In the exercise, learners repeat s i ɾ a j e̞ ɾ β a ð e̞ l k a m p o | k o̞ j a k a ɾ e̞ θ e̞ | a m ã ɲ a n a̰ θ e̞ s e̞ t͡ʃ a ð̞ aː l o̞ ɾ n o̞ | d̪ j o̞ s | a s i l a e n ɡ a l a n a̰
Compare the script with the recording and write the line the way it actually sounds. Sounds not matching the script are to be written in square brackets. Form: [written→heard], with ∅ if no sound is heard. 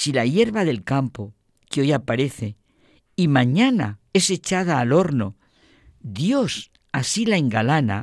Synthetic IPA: s i [ɾ→l] a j e̞ ɾ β a ð e̞ l k a m p o | k o̞ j a [k→p] a ɾ e̞ θ e̞ | [a→i] m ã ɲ a n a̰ [θ→∅] e̞ s e̞ t͡ʃ a ð̞ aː l o̞ ɾ n o̞ | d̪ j o̞ s | a s i l a e [n→ŋ] ɡ a l a n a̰